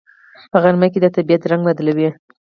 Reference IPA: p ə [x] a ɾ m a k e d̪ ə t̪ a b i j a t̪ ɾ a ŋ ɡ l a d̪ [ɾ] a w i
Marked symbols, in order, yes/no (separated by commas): no, no